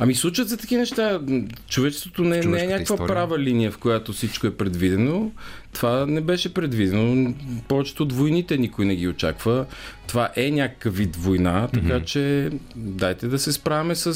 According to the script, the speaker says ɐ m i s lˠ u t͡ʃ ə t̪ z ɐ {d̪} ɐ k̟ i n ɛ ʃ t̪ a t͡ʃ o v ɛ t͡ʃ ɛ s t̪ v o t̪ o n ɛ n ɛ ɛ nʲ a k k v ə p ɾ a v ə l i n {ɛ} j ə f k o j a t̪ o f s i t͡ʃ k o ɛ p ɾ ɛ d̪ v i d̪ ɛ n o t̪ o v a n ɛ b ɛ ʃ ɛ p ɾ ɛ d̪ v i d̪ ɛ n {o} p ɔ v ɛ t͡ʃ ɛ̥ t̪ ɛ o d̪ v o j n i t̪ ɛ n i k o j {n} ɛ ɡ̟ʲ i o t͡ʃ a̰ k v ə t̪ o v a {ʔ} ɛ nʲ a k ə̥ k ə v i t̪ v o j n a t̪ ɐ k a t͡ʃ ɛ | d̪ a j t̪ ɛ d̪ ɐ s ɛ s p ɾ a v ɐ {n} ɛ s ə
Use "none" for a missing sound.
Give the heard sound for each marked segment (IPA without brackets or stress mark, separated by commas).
t̪, i, o, n, ʔ, m